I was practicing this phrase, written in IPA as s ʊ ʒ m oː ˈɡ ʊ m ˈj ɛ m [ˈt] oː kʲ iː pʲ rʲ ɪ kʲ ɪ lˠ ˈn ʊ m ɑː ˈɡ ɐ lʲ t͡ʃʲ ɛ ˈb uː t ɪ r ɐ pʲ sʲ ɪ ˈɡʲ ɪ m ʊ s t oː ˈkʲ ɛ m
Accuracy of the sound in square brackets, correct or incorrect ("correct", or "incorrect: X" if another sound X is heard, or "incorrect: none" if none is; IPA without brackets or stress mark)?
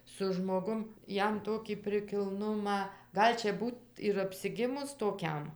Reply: correct